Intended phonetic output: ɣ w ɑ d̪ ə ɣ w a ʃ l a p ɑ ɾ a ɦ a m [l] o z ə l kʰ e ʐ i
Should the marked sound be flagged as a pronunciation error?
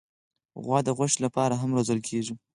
yes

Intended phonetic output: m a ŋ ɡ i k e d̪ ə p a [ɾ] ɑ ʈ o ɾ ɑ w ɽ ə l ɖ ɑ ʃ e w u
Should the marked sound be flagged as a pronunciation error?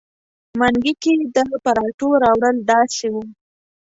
no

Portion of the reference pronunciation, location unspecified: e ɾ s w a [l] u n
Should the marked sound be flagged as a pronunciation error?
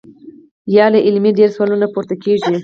no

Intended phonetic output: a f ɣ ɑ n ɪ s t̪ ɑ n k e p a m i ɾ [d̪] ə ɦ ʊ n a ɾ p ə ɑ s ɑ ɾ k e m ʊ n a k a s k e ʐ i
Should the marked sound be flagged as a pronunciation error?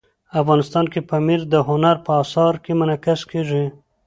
no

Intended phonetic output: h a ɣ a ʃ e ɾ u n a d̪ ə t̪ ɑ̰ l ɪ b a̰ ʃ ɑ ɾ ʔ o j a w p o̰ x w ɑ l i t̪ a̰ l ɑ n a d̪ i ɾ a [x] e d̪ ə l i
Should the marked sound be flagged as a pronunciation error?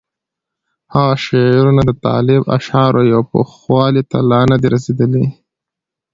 yes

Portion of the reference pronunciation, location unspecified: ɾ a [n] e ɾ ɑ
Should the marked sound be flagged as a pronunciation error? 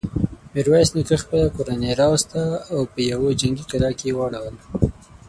no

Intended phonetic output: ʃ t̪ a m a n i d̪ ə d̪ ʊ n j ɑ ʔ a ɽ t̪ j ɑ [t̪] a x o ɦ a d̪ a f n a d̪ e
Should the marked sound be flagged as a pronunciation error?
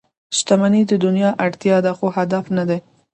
yes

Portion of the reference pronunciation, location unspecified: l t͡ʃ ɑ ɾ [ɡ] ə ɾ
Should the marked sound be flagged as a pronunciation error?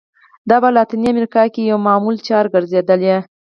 no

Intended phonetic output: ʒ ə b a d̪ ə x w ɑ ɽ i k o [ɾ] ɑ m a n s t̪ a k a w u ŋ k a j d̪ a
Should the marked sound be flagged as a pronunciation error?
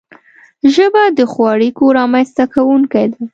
no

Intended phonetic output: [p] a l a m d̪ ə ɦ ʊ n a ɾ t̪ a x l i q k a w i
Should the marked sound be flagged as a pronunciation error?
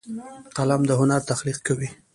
yes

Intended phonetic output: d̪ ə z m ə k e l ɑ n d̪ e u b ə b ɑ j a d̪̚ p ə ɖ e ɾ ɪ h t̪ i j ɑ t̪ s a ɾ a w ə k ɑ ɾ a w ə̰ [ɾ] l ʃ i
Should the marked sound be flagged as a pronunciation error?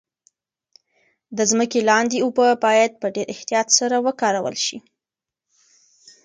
yes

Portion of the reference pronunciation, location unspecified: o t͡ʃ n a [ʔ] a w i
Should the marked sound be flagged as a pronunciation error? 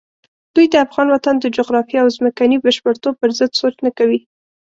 yes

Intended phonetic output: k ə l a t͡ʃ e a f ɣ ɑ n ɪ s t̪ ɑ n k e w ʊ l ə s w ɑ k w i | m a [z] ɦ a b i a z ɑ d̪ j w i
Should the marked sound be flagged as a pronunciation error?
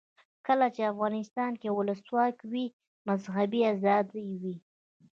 no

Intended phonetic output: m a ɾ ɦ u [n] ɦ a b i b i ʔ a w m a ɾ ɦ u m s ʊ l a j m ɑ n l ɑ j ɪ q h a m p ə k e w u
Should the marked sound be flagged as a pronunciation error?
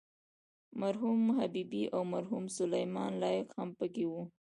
yes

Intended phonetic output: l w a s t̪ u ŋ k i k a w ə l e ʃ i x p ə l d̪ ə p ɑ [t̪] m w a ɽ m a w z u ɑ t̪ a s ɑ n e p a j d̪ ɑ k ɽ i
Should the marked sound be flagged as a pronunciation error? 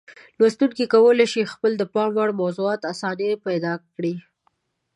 yes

